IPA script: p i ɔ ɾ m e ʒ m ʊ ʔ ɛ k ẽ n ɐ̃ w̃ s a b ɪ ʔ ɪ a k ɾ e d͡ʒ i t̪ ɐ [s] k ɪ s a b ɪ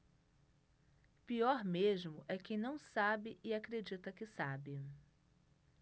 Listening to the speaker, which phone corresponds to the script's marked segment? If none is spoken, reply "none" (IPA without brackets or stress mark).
none